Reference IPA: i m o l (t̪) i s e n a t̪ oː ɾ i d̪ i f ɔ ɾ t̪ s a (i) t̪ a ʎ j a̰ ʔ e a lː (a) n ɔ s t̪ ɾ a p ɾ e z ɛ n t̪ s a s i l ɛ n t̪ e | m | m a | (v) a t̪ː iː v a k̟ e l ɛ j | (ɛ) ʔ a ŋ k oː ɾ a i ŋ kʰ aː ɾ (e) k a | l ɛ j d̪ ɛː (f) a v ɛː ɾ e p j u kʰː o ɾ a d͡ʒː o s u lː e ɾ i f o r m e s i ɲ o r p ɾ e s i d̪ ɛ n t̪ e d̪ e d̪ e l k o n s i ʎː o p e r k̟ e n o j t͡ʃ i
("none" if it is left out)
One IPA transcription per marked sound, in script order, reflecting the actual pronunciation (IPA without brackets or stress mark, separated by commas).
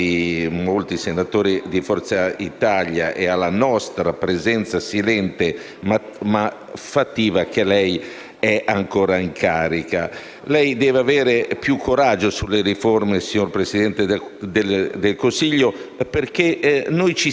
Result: t̪, i, a, f, ɛ, i, v